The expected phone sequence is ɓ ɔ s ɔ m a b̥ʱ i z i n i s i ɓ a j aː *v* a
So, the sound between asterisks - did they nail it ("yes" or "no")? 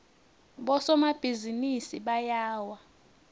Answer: no